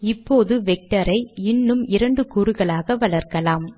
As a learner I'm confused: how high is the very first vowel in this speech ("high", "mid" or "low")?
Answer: high